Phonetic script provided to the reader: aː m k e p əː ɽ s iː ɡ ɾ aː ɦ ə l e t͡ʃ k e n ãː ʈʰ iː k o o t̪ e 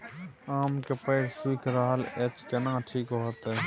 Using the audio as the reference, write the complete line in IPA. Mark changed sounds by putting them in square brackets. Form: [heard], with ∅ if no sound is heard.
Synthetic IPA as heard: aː m k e p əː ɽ s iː [k] ɾ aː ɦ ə l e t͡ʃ k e n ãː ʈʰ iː k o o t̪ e